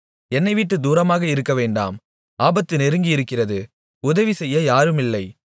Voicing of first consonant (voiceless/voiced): voiced